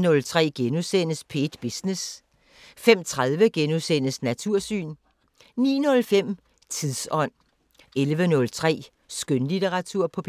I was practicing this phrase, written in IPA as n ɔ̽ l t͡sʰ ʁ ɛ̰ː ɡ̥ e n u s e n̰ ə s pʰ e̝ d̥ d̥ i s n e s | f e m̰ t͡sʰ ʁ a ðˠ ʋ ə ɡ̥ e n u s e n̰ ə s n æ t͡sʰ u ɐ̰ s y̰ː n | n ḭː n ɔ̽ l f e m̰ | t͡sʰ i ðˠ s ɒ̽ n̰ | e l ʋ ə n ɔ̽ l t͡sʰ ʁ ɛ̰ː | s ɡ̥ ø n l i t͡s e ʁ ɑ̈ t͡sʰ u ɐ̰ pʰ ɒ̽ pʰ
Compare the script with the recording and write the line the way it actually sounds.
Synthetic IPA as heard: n ɔ̽ l t͡sʰ ʁ ɛ̰ː ɡ̥ e n u s e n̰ ə s pʰ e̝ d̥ b̥ i s n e s | f e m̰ t͡sʰ ʁ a ðˠ ʋ ə ɡ̥ e n u s e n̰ ə s n æ t͡sʰ u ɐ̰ s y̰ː n | n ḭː n ɔ̽ l f e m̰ | t͡sʰ i ðˠ s ɒ̽ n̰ | e l ʋ ə n ɔ̽ l t͡sʰ ʁ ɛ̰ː | s ɡ̥ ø n l i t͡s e ʁ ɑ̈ t͡sʰ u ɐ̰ pʰ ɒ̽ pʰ

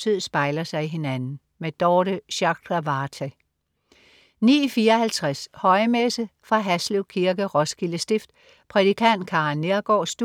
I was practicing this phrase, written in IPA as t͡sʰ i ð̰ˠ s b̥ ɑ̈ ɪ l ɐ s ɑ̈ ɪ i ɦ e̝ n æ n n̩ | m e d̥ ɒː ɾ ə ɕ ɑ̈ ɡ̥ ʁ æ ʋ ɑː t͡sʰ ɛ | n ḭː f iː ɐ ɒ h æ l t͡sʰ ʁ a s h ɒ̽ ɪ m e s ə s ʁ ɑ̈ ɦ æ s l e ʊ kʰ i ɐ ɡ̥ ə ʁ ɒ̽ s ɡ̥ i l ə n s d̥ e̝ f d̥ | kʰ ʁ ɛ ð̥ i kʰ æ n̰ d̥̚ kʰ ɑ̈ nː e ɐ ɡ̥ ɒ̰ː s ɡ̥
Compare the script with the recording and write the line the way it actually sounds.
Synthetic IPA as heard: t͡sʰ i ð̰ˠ s b̥ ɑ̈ ɪ l ɐ s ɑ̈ ɪ i ɦ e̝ n æ n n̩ | m e d̥ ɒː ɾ ə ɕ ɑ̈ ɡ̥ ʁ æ ʋ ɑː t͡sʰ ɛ | n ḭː f iː ɐ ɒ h æ l t͡sʰ ʁ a s h ɒ̽ ɪ m e s ə f ʁ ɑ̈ ɦ æ s l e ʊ kʰ i ɐ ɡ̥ ə ʁ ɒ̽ s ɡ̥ i l ə s d̥ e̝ f d̥ | pʰ ʁ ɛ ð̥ i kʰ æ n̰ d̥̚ kʰ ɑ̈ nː e ɐ ɡ̥ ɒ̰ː s d̥

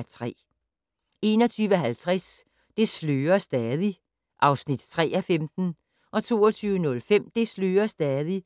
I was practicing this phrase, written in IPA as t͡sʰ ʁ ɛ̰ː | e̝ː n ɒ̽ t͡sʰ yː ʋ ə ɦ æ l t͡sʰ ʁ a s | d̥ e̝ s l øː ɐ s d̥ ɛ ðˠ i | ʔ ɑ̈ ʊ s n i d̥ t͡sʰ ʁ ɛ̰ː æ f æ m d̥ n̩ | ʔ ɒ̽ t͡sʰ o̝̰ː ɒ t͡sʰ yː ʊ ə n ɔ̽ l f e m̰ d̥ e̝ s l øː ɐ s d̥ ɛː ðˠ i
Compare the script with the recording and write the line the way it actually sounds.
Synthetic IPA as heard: t͡sʰ ʁ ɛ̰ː | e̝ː n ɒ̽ t͡sʰ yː ʋ ə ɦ æ l t͡sʰ ʁ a s | d̥ e̝ s l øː ɐ s d̥ ɛ ðˠ i | ʔ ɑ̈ ʊ s n i d̥ t͡sʰ ʁ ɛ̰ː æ f e m d̥ n̩ | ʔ ɒ̽ t͡sʰ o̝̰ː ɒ t͡sʰ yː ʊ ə n ɔ̽ l f e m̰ d̥ e̝ s l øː ɐ s d̥ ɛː ðˠ i

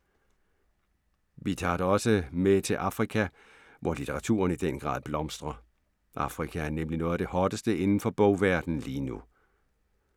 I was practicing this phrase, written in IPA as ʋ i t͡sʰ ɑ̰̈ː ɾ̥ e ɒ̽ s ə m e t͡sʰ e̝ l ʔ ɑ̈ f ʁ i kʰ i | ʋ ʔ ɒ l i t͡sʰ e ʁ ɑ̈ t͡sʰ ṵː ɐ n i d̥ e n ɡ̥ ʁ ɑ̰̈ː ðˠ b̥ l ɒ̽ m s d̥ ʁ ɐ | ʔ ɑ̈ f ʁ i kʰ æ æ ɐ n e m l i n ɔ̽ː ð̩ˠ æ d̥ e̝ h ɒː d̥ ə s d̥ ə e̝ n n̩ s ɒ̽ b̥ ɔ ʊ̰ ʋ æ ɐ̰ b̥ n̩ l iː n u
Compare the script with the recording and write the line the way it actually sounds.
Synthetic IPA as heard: ʋ i t͡sʰ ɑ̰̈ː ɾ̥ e ɒ̽ s ə m e t͡sʰ e̝ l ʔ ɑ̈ f ʁ i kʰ æ | ʋ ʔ ɒ l i t͡sʰ e ʁ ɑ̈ t͡sʰ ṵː ɐ n i d̥ e n ɡ̥ ʁ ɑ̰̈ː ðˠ b̥ l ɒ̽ m s d̥ ʁ ɐ | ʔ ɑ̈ f ʁ i kʰ æ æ ɐ n e m l i n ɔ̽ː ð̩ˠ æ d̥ e̝ h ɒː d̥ ə s d̥ ə e̝ n n̩ f ɒ̽ b̥ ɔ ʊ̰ ʋ æ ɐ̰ d̥ n̩ l iː n u

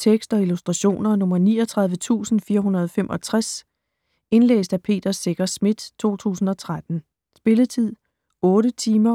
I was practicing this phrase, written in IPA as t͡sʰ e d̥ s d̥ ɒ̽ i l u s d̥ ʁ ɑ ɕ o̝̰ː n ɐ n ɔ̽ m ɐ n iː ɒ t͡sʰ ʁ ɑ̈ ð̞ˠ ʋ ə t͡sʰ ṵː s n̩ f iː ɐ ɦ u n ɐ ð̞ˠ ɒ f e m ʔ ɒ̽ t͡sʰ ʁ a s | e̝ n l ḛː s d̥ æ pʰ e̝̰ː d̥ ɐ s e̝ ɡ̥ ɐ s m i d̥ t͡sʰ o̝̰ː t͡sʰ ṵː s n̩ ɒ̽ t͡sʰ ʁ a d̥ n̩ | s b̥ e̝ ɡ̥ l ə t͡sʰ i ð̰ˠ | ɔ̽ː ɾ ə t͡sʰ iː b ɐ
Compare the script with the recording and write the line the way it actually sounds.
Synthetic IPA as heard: t͡sʰ e ɡ̥ s d̥ ɒ̽ i l u s d̥ ʁ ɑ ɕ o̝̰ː n ɐ n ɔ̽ m ɐ n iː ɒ t͡sʰ ʁ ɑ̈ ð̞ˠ ʋ ə t͡sʰ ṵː s n̩ f iː ɐ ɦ u n ɐ ð̞ˠ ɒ f e m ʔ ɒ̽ t͡sʰ ʁ a s | e̝ n l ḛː s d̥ æ pʰ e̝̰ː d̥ ɐ s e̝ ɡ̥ ɐ s m i d̥ t͡sʰ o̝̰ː t͡sʰ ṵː s n̩ ɒ̽ t͡sʰ ʁ a d̥ n̩ | s b̥ e̝ l ə t͡sʰ i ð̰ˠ | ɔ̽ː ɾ ə t͡sʰ iː m ɐ

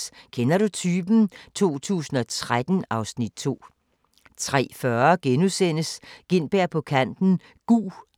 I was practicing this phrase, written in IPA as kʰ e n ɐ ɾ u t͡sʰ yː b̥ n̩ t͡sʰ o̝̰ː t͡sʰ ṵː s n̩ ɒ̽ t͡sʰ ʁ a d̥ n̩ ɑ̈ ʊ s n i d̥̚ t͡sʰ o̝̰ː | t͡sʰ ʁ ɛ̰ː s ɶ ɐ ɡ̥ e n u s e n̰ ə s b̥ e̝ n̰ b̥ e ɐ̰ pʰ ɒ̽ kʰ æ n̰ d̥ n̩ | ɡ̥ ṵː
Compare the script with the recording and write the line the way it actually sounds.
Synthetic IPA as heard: kʰ e n ɐ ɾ u t͡sʰ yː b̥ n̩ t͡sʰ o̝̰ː t͡sʰ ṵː s n̩ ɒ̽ t͡sʰ ʁ a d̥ n̩ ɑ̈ ʊ s n i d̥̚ t͡sʰ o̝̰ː | t͡sʰ ʁ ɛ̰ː f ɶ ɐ ɡ̥ e n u s e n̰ ə s ɡ̥ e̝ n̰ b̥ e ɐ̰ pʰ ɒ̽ kʰ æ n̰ d̥ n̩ | ɡ̥ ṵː

